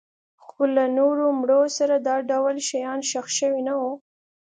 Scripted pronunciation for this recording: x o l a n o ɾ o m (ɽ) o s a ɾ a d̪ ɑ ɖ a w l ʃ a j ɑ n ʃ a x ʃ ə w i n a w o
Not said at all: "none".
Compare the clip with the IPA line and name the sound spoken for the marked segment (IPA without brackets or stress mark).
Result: ɽ